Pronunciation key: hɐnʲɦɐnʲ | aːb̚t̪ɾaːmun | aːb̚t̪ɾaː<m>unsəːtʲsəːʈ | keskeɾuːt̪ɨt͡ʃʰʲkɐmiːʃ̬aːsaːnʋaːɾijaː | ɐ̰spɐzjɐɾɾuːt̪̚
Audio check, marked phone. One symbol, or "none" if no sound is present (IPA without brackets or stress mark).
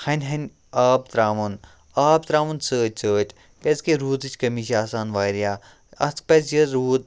m